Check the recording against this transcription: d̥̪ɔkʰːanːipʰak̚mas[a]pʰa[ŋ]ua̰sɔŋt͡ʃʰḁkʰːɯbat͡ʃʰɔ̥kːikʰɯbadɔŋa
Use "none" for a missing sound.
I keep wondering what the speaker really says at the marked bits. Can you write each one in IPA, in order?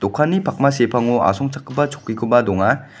e, ŋ

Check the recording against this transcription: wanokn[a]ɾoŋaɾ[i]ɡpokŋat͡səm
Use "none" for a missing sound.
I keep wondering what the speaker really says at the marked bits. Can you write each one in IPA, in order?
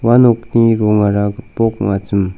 i, a

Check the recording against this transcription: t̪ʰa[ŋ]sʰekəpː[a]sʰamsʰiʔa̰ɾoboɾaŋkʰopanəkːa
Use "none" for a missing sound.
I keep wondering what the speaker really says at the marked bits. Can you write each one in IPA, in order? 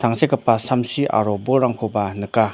ŋ, a

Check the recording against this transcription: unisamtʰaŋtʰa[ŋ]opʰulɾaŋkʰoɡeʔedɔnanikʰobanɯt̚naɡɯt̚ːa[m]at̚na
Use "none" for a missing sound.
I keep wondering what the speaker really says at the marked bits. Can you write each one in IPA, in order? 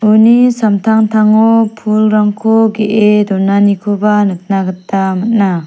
ŋ, m

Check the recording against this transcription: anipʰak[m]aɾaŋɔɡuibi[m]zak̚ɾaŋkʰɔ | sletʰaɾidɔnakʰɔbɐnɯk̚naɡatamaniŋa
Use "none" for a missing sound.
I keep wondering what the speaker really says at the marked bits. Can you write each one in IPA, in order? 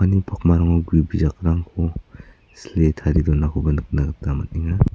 m, none

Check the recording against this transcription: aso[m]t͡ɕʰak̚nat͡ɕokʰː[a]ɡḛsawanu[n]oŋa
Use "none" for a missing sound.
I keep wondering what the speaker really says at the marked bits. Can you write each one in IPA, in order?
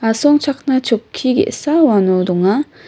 ŋ, i, d

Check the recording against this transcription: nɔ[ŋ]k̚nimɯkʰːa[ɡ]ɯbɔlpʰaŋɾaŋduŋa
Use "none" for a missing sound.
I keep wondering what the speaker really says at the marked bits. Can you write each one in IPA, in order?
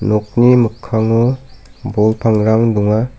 none, ŋ

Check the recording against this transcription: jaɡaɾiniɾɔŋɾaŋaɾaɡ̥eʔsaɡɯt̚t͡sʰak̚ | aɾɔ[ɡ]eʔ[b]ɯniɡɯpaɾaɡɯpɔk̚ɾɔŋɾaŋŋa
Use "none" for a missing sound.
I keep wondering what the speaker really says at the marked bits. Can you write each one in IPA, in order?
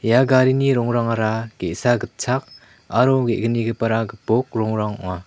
ɡ, ɡ

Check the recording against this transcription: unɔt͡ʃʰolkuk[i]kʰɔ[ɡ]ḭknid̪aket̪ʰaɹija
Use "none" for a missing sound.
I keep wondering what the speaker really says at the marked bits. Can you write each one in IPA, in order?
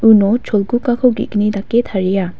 a, ɡ

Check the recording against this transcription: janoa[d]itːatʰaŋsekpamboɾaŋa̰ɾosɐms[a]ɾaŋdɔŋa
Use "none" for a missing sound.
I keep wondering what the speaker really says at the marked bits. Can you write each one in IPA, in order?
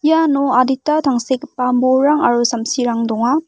d, i

